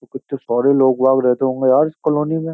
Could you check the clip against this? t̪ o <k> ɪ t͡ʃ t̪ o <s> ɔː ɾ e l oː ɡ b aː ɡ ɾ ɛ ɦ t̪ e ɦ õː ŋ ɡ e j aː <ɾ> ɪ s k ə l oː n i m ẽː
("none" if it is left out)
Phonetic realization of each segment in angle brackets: k, s, ɾ

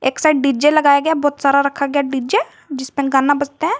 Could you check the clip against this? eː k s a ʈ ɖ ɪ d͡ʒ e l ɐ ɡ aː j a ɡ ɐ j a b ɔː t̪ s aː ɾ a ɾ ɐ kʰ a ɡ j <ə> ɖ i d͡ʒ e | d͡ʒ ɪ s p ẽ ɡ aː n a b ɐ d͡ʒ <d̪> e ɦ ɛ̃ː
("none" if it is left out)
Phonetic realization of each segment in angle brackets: a, t̪

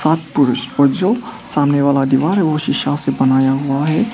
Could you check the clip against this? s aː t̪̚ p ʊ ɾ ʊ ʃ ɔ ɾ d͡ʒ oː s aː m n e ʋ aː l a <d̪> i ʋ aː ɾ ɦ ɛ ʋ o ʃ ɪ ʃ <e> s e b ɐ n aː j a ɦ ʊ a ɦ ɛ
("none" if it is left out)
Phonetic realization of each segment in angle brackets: d̪, a

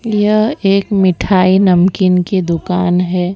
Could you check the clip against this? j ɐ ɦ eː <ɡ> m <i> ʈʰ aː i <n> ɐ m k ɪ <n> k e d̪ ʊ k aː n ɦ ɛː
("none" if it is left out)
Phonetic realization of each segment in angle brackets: k, ɪ, n, n

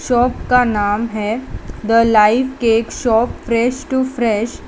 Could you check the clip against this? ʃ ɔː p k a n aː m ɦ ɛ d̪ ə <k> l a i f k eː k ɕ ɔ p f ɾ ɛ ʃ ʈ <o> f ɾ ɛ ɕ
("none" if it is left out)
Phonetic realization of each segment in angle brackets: none, u

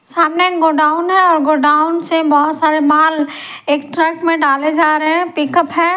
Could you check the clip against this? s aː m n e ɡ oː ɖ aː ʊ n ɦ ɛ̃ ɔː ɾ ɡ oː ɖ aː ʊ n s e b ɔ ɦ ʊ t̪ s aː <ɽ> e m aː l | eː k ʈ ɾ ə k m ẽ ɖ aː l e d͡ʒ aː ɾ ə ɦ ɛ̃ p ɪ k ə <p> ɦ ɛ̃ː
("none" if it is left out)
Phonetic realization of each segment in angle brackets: ɾ, p

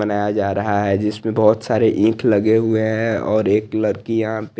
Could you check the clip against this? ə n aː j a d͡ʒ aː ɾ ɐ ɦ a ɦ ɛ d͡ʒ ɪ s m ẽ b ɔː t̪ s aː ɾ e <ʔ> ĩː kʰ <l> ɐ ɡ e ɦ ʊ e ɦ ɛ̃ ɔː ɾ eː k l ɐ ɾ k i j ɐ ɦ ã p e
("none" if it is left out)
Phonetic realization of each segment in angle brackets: ʔ, l

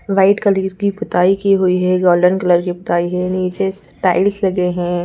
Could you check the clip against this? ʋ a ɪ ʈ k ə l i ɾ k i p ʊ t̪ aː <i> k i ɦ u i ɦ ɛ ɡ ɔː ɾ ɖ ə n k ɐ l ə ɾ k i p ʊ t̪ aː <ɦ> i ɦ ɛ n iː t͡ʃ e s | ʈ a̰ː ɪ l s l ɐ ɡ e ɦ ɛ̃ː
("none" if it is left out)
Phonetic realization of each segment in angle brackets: i, none

